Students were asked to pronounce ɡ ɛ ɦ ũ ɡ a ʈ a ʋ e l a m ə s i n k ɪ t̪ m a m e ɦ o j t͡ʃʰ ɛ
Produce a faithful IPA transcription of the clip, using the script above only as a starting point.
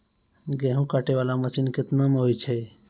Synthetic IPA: ɡ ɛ ɦ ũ k a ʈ e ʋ a l a m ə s i n k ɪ t̪ n a m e ɦ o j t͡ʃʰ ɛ